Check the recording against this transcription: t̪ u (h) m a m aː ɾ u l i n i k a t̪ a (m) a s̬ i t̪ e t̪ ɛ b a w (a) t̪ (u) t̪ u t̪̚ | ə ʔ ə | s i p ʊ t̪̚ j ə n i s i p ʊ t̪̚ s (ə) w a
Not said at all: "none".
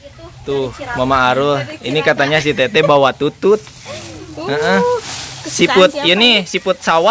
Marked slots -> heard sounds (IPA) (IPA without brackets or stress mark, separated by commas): h, ɲ, a, u, a